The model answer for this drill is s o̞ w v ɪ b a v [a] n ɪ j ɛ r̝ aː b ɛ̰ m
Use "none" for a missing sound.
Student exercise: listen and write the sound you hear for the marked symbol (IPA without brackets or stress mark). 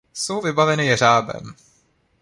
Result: ɛ